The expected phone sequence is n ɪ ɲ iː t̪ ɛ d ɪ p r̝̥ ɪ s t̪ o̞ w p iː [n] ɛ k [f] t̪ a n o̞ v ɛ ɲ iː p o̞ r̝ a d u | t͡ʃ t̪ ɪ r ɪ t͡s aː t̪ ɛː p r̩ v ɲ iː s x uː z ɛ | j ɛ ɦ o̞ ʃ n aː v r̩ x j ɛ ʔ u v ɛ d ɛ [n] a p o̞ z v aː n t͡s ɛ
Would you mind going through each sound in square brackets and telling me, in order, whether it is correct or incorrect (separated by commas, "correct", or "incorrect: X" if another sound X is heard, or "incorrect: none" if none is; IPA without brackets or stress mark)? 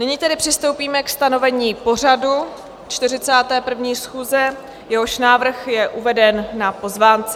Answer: incorrect: m, incorrect: s, incorrect: nː